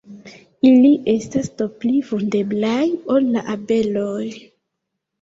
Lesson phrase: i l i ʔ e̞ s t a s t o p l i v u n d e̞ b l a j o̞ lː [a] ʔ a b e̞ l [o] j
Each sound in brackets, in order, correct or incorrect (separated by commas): correct, correct